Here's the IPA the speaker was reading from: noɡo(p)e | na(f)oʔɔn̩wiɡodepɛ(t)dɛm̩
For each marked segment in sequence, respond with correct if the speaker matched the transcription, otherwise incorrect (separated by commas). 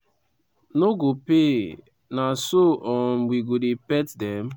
correct, incorrect, correct